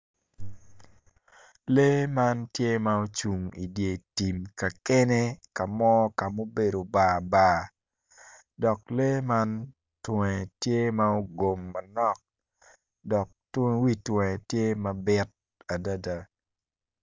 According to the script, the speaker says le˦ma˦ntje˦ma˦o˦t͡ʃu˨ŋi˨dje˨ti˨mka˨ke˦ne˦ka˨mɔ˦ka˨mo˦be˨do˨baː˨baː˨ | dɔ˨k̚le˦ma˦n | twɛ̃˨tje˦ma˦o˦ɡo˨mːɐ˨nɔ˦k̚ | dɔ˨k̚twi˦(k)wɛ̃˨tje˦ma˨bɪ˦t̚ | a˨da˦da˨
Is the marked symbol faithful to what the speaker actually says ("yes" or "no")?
no